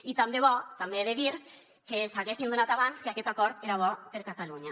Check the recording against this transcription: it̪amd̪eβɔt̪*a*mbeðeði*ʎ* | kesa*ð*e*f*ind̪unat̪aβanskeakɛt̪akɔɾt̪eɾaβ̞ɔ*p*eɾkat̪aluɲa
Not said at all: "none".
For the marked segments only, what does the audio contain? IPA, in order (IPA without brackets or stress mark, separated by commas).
a, ɾ, ɣ, s, p